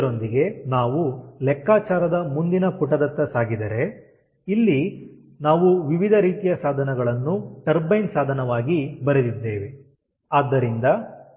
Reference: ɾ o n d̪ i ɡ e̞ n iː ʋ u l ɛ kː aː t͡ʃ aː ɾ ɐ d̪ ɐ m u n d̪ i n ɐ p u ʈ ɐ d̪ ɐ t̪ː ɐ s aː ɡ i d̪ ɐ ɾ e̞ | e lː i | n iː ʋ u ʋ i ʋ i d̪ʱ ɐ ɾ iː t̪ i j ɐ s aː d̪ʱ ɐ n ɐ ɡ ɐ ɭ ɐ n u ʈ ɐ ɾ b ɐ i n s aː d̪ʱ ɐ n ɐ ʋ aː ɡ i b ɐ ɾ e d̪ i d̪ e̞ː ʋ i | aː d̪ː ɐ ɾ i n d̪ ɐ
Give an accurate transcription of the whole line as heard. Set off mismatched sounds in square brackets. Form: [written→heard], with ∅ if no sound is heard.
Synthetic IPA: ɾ o n d̪ i ɡ e̞ n [iː→aː] ʋ u l ɛ kː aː t͡ʃ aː ɾ ɐ d̪ ɐ m u n d̪ i n ɐ p u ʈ ɐ d̪ ɐ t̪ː ɐ s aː ɡ i d̪ ɐ ɾ e̞ | [e→i] lː i | n [iː→aː] ʋ u ʋ i ʋ i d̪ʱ ɐ ɾ iː t̪ i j ɐ s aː d̪ʱ ɐ n ɐ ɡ ɐ ɭ ɐ [n→nː] u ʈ ɐ ɾ b ɐ [i→j] n s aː d̪ʱ ɐ n ɐ ʋ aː ɡ i b ɐ ɾ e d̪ i [d̪→d̪ː] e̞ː ʋ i | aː d̪ː ɐ ɾ i n d̪ ɐ